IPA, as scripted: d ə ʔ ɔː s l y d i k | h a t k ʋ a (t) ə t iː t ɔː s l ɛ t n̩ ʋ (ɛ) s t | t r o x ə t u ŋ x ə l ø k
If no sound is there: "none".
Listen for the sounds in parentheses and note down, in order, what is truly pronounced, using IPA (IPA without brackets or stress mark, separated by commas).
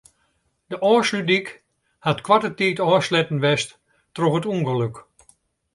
t, ɛ